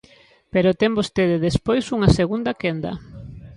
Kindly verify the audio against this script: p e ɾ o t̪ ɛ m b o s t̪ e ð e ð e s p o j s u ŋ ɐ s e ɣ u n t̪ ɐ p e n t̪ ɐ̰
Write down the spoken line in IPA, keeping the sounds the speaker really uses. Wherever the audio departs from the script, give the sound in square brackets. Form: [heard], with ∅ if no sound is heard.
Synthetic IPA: p e ɾ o t̪ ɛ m b o s t̪ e ð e ð e s p o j s u ŋ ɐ s e ɣ u n [d̪] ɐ [k] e n [d̪] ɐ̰